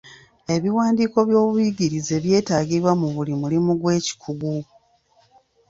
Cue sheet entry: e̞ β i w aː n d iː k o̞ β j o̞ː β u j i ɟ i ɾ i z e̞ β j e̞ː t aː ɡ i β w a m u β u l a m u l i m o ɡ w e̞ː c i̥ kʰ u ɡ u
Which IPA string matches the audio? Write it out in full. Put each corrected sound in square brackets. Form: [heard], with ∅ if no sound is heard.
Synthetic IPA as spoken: e̞ β i w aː n d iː k o̞ β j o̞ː β u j i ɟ i ɾ i z e̞ β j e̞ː t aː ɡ i β w a m u β u l [i] m u l i m [u] ɡ w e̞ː c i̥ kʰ u ɡ u

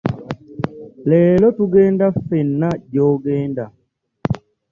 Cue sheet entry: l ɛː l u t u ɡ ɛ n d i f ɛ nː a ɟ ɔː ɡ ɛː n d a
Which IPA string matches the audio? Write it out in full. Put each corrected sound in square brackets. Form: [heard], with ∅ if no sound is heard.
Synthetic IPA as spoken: l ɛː l [ɔ] t u ɡ ɛ n d [a] f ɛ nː a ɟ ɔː ɡ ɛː n d a

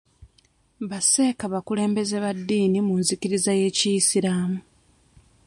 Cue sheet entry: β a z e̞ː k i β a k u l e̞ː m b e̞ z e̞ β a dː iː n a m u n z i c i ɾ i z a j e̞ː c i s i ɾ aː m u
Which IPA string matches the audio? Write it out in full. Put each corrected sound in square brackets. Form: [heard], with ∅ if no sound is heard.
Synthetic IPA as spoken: β a [s] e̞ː k [a] β a k u l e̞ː m b e̞ z e̞ β a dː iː n [i] m u n z i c i ɾ i z a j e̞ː c i s i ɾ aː m u

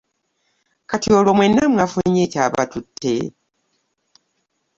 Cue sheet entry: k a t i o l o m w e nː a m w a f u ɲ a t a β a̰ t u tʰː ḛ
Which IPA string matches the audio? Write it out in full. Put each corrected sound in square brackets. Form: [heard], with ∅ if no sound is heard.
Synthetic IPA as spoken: k a t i o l o m w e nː a m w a f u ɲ [e] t a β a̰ t u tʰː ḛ

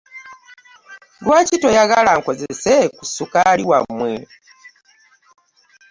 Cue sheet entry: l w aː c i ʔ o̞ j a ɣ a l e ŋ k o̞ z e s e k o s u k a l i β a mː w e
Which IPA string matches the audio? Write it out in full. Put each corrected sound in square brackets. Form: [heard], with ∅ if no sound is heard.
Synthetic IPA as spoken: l w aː c i [t] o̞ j a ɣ a l [a] ŋ k o̞ z e s e k [u] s u k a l i [w] a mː w e

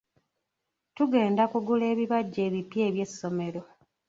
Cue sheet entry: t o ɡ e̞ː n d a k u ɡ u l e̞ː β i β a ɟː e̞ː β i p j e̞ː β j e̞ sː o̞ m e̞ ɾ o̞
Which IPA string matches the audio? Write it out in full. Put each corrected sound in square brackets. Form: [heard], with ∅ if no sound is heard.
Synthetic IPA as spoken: t [u] ɡ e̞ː n d a k u ɡ u l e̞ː β i β a ɟː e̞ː β i p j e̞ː β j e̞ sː o̞ m e̞ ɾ o̞

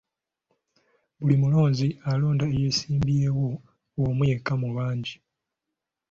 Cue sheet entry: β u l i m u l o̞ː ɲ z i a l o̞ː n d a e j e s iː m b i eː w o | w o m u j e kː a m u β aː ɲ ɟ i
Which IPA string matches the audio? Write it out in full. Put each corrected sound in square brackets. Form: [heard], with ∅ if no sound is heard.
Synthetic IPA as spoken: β u l i m u l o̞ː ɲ z i a l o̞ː n d a e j e s iː m b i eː w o | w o m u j e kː a m u β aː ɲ ɟ i

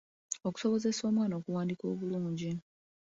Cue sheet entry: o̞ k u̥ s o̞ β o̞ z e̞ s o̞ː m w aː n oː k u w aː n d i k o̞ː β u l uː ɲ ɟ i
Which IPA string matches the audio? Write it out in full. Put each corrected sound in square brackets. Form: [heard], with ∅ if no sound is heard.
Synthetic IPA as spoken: o̞ k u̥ s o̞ β o̞ z e̞ s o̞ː m w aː n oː k u w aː n d i k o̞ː β u l uː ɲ ɟ i

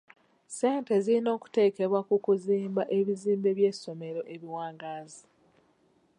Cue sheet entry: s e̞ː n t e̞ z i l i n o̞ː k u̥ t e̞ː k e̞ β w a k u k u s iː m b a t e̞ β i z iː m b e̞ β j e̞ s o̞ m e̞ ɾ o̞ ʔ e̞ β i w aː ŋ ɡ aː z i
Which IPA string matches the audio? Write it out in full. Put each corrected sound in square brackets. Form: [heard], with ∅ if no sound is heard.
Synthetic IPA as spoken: s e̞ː n t e̞ z i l i n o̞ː k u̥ t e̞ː k e̞ β w a k u k u [z] iː m b a [ʔ] e̞ β i z iː m b e̞ β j e̞ s o̞ m e̞ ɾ o̞ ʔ e̞ β i w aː ŋ ɡ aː z i

